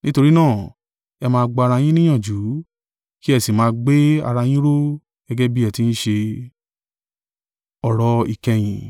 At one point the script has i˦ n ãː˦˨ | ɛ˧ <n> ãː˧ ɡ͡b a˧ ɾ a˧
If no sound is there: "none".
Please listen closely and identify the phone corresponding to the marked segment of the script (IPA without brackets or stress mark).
m